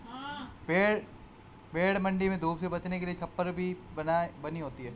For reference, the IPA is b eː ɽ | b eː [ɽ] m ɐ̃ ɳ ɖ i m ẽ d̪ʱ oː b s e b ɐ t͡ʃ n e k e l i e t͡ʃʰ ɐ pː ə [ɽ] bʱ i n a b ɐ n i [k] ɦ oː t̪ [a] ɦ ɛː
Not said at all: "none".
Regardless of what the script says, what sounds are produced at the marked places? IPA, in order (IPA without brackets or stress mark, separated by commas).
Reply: ɽ, ɾ, none, i